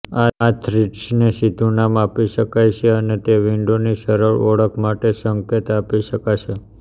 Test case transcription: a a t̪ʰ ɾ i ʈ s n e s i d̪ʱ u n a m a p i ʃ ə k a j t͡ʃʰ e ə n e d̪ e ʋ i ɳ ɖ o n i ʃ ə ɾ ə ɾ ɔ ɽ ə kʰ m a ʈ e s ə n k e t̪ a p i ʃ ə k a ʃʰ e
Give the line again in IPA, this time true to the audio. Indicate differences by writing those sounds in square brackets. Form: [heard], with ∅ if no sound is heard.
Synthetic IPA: a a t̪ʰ ɾ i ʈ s n e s i d̪ʱ u n a m a p i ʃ ə k a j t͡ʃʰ e ə n e [t̪] e ʋ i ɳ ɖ o n i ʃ ə ɾ ə [ɭ] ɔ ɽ ə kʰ m a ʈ e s ə [ŋ] k e t̪ a p i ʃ ə k a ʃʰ e